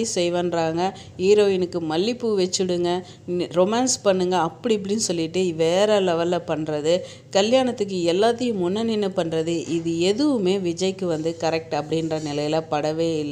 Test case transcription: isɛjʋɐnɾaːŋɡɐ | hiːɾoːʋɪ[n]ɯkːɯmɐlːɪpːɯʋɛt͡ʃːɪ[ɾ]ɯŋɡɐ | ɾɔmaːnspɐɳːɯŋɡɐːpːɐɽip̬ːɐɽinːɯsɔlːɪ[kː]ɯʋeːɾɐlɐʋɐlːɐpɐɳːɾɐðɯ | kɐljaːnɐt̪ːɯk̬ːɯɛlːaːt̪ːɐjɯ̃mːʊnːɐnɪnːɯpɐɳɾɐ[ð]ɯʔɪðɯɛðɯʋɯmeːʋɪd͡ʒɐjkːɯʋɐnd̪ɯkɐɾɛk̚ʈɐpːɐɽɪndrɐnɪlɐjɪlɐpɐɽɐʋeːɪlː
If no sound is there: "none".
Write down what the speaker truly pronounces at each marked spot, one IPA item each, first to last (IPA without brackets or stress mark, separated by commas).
n, ɽ, ʈː, ð